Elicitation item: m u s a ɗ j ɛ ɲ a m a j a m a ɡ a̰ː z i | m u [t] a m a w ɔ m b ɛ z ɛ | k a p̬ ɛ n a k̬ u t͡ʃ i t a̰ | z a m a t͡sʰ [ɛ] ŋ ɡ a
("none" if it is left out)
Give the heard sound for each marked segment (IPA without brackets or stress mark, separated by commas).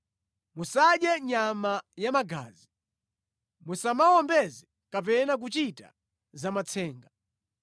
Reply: s, ɛː